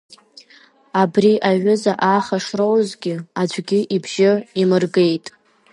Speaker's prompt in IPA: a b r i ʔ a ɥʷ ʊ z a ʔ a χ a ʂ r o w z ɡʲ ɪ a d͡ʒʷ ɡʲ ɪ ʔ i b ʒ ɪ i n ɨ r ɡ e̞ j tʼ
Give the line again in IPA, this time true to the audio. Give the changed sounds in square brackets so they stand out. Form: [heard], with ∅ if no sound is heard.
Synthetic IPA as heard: a b r i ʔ a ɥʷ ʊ z a ʔ a χ a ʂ r o w z ɡʲ ɪ a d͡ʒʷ ɡʲ ɪ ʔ i b ʒ ɪ i [m] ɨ r ɡ e̞ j tʼ